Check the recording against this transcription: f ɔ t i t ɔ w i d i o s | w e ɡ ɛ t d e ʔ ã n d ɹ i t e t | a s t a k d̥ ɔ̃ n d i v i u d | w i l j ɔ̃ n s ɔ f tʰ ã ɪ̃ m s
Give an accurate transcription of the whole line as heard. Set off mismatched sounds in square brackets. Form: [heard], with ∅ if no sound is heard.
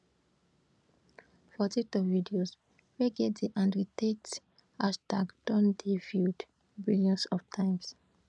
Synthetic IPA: f ɔ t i t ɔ [v] i d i o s | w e ɡ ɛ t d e ʔ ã n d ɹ i t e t | a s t a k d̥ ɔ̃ n d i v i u d | [b] i l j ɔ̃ n s ɔ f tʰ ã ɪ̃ m s